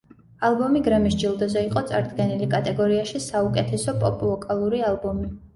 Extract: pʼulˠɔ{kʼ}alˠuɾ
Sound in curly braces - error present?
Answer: no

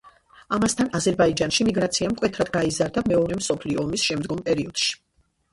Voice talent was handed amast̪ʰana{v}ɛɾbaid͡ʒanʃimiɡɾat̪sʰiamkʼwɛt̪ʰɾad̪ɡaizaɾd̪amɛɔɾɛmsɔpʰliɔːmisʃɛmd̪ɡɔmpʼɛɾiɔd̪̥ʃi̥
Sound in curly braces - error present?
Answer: yes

